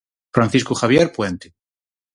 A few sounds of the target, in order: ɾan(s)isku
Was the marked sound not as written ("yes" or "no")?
yes